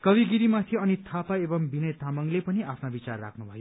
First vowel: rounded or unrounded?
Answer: unrounded